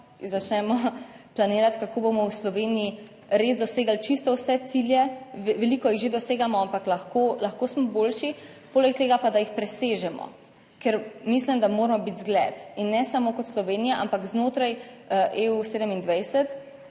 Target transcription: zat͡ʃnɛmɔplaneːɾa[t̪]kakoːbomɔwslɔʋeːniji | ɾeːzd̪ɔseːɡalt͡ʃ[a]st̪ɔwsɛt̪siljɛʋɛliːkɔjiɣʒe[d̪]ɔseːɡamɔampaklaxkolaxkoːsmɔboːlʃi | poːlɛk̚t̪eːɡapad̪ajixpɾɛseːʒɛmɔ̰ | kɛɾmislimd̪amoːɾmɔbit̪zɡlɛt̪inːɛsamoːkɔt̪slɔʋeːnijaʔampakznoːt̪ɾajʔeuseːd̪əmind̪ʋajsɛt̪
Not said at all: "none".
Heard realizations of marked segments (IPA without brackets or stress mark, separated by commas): t̪, i, d̪